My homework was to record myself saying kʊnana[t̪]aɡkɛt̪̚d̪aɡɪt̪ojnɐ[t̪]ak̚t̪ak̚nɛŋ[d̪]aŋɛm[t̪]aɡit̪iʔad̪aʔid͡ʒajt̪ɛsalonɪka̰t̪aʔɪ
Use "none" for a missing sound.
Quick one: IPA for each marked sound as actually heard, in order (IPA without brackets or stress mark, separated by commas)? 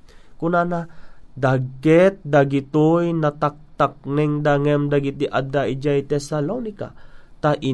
d̪, t̪, d̪, d̪